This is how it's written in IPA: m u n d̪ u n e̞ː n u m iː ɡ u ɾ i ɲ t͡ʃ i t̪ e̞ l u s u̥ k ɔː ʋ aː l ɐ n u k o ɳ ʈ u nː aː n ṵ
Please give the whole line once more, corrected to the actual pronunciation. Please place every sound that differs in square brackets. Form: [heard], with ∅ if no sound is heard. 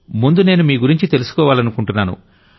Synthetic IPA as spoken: m u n d̪ u n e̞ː n u m iː ɡ u ɾ i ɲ t͡ʃ i t̪ e̞ l u s u̥ k ɔː ʋ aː l ɐ n u k [u] ɳ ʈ u nː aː n ṵ